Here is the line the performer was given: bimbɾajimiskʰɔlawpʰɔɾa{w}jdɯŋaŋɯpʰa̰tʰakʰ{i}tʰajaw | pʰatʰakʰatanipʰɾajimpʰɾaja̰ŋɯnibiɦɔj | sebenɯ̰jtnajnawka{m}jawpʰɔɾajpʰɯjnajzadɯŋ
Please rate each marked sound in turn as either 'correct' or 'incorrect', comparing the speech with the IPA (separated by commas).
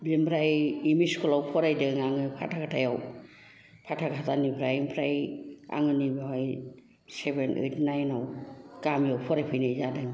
incorrect, incorrect, correct